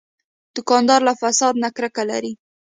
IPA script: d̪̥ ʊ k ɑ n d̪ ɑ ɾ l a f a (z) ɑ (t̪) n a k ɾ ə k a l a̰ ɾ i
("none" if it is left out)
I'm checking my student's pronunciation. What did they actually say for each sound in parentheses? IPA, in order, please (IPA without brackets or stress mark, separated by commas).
s, d̪